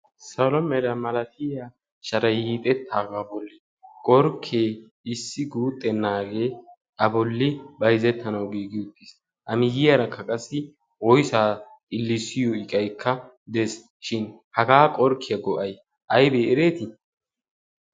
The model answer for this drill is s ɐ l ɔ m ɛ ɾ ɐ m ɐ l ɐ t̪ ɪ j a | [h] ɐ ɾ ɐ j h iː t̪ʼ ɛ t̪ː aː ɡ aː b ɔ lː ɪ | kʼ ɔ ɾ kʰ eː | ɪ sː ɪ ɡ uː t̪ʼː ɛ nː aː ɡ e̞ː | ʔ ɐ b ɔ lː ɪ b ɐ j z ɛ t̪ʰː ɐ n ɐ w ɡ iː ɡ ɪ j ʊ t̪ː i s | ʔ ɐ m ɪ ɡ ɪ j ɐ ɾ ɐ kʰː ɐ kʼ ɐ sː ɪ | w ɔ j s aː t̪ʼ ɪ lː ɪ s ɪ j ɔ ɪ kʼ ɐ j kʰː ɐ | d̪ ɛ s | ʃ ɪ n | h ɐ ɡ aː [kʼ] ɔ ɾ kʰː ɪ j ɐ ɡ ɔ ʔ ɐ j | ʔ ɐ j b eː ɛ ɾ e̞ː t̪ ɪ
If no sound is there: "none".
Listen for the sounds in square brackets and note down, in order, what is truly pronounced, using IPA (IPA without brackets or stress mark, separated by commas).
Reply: ʃ, kʼ